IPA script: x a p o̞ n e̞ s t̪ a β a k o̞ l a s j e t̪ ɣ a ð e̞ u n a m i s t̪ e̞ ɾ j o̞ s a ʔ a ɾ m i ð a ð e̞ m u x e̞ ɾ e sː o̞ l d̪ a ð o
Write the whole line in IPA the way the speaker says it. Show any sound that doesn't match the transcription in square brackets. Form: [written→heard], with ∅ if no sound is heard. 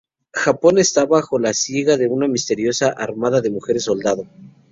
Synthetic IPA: x a p o̞ n e̞ s t̪ a β a [k→x] o̞ l a s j e [t̪→∅] ɣ a ð e̞ u n a m i s t̪ e̞ ɾ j o̞ s a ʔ a ɾ m [i→a] ð a ð e̞ m u x e̞ ɾ e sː o̞ l d̪ a ð o